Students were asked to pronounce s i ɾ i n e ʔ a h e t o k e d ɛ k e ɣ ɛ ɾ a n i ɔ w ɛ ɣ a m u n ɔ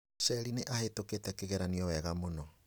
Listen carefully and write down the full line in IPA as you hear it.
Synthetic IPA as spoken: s ɛ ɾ i n e ʔ a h e t o k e t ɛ k e ɣ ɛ ɾ a n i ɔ w ɛ ɣ a m o n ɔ

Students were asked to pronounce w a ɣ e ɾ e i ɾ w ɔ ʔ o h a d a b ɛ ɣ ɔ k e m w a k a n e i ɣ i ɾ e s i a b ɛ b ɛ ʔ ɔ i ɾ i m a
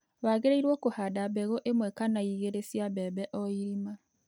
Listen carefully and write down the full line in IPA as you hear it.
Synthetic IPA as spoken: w a ɣ e ɾ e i ɾ w ɔ k o h a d a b ɛ ɣ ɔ ʔ e m w ɛ k a n a i ɣ e ɾ e s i a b ɛ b ɛ ʔ ɔ i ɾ i m a

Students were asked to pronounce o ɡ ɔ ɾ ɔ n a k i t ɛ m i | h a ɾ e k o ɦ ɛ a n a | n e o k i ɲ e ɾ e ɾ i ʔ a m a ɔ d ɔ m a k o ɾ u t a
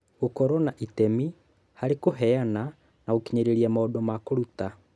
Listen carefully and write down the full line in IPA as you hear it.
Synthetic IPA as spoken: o k ɔ ɾ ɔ n a ʔ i t ɛ m i | h a ɾ e k o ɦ ɛ a n a | n a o k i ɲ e ɾ e ɾ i a m a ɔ d ɔ m a k o ɾ u t a

